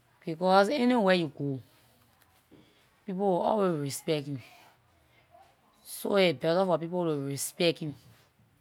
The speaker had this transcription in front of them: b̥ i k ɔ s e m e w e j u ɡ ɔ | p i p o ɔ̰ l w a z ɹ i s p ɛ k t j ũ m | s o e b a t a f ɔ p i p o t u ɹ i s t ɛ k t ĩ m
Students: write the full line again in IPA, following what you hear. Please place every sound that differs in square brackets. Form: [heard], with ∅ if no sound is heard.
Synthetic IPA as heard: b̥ i k ɔ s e [n] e w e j u ɡ [o] | p i p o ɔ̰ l w [e] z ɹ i s p ɛ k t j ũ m | s o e b [ɛ] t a f ɔ p i p o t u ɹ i s [p] ɛ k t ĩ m